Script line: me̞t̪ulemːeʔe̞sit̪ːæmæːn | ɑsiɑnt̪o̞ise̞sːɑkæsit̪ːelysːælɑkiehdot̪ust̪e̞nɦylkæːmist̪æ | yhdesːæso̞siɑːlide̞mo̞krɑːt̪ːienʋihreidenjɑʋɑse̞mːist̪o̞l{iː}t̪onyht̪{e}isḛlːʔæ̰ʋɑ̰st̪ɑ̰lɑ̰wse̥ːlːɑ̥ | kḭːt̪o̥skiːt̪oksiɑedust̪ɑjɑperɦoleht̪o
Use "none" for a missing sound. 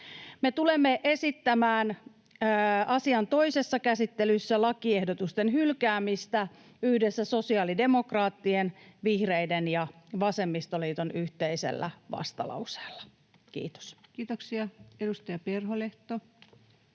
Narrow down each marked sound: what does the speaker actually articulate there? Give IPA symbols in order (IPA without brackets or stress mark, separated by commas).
iː, e